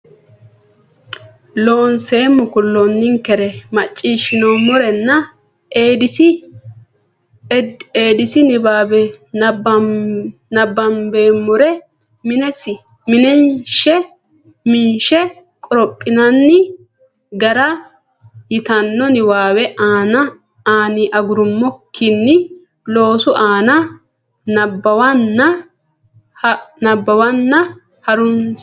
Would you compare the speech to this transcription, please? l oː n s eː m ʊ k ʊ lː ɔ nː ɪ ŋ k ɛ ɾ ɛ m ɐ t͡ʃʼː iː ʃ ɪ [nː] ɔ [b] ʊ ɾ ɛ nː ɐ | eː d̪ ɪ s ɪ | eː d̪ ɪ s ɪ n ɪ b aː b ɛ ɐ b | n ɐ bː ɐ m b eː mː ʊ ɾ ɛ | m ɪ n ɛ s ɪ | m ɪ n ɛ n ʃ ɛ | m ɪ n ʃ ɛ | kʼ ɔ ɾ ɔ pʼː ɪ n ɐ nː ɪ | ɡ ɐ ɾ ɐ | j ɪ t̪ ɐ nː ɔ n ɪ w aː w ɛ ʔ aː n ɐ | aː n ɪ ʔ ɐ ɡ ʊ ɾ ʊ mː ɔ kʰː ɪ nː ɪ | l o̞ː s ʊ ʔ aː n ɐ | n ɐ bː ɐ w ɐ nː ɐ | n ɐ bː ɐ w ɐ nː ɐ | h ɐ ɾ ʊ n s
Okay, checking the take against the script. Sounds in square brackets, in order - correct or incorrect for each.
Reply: incorrect: n, incorrect: m

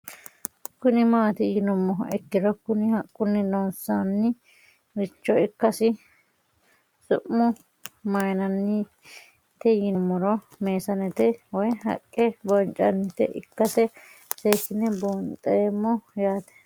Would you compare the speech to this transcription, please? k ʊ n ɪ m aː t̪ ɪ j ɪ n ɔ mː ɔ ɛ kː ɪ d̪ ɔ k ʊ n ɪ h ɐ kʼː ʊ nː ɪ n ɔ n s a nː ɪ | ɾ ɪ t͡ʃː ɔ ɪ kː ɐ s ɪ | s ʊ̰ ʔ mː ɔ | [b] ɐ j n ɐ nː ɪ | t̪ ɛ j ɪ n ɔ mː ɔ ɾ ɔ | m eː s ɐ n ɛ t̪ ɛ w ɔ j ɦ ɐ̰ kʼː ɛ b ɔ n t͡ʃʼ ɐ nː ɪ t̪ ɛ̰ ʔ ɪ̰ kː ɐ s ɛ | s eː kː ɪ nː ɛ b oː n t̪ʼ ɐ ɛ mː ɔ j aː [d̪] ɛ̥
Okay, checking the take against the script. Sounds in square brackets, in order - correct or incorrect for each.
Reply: incorrect: m, incorrect: t̪

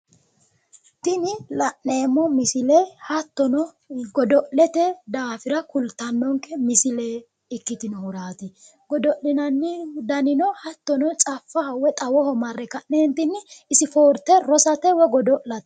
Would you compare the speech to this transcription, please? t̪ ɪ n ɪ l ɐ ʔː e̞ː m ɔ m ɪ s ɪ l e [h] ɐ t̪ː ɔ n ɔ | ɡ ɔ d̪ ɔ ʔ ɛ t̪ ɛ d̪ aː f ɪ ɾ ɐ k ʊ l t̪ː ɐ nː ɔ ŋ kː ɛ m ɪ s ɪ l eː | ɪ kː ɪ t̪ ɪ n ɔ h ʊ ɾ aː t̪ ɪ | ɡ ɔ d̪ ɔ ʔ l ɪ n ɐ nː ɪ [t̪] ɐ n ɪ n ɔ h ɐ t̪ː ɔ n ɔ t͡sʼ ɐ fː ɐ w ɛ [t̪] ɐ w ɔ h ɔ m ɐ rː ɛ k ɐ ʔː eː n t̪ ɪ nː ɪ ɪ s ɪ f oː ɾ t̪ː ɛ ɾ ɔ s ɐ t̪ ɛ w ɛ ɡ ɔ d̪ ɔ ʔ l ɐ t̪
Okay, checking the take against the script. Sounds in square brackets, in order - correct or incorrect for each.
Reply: correct, incorrect: d̪, incorrect: t̪ʼ

